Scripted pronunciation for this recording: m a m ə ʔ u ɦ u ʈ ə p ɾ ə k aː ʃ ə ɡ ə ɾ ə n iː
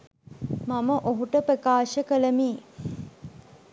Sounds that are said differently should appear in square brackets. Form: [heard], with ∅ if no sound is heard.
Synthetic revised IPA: m a m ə ʔ [o] ɦ u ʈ ə p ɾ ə k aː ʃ ə [k] ə [l] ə [m] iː